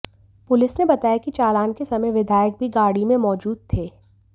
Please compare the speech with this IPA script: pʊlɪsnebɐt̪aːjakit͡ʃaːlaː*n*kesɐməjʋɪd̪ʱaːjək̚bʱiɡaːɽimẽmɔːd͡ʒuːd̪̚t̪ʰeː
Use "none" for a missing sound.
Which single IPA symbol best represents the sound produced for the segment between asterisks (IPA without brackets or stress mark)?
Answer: n